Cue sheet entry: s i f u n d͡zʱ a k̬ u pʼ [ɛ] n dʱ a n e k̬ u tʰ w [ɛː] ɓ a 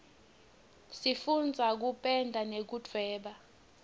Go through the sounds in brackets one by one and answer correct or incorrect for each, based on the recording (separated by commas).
correct, correct